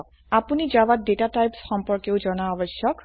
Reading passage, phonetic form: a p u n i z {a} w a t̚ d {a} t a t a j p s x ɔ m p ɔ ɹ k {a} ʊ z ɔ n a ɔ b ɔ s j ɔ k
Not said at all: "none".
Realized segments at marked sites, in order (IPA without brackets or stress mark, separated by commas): a, e, e